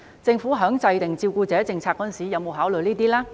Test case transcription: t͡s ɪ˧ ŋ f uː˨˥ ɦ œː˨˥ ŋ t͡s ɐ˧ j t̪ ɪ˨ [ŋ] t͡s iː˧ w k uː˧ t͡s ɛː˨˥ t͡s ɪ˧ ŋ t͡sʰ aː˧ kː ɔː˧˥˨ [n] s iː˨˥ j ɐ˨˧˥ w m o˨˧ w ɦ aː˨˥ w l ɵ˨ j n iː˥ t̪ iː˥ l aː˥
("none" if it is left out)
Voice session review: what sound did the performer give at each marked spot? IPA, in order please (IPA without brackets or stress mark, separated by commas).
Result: ŋ, n